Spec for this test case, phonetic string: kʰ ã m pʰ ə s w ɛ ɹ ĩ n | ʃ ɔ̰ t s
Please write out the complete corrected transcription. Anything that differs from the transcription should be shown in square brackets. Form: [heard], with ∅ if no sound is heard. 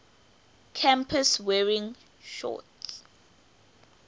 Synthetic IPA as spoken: kʰ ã m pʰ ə s w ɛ ɹ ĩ [ŋ] | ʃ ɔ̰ t s